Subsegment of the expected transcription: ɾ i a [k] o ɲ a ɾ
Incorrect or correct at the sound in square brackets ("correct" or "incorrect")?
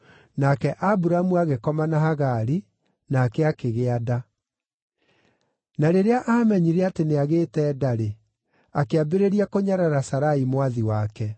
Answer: correct